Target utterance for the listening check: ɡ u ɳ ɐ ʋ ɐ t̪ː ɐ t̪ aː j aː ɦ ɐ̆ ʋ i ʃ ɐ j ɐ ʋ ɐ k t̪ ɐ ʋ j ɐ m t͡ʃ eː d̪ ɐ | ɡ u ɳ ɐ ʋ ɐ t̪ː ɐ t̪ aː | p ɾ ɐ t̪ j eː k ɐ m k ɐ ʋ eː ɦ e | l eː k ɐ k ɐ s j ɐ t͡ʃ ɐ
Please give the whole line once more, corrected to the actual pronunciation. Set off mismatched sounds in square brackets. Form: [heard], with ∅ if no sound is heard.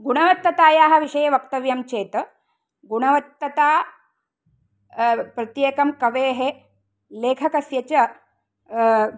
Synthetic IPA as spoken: ɡ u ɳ ɐ ʋ ɐ t̪ː ɐ t̪ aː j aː ɦ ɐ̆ ʋ i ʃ ɐ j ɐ ʋ ɐ k t̪ ɐ ʋ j ɐ m t͡ʃ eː [t̪] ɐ | ɡ u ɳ ɐ ʋ ɐ t̪ː ɐ t̪ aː | p ɾ ɐ t̪ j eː k ɐ m k ɐ ʋ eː ɦ e | l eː [kʰ] ɐ k ɐ s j ɐ t͡ʃ ɐ